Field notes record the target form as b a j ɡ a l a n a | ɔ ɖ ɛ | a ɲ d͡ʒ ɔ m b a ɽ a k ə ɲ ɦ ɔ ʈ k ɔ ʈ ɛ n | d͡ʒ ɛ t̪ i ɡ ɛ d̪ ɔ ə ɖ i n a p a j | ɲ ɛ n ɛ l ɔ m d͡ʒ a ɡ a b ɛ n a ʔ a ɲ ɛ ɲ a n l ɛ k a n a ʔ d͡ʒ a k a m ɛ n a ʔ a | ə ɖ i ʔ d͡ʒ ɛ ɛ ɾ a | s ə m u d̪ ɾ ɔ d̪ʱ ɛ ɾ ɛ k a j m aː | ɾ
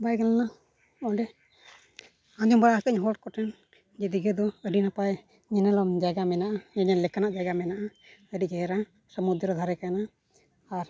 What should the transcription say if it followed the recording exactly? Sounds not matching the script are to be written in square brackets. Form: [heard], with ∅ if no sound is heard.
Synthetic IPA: b a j ɡ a l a n a | ɔ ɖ ɛ | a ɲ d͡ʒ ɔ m b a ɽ a k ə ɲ ɦ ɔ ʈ k ɔ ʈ ɛ n | d͡ʒ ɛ [d̪] i ɡ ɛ d̪ ɔ ə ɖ i n a p a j | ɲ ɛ n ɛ l ɔ m d͡ʒ a ɡ a [m] ɛ n a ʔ a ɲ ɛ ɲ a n l ɛ k a n a ʔ d͡ʒ a [ɡ] a m ɛ n a ʔ a | ə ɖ i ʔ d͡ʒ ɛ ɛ ɾ a | s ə m u d̪ ɾ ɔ d̪ʱ [a] ɾ ɛ k a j [n] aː | ɾ

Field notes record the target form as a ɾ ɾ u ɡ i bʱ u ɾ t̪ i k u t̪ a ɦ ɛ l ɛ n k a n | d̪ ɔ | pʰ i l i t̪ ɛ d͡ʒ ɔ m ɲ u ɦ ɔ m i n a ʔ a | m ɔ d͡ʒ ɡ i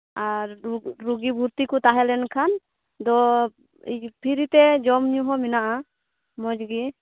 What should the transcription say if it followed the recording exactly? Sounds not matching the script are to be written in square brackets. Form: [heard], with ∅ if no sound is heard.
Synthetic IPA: a ɾ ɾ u ɡ i bʱ u ɾ t̪ i k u t̪ a ɦ ɛ l ɛ n [kʰ] a n | d̪ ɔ | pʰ i [ɾ] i t̪ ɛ d͡ʒ ɔ m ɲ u ɦ ɔ m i n a ʔ a | m ɔ d͡ʒ ɡ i

